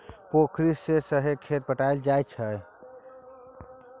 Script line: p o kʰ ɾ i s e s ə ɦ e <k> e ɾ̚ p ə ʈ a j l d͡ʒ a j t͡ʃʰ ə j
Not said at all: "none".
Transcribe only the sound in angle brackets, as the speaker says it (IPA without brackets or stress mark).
kʰ